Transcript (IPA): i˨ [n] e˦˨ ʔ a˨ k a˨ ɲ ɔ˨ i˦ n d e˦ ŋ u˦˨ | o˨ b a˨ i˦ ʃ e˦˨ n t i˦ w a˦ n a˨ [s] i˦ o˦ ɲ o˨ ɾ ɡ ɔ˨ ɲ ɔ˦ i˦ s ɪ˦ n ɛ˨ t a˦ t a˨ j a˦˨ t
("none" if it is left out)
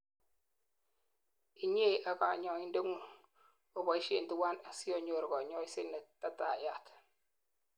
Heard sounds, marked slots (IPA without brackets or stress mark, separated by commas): ɲ, s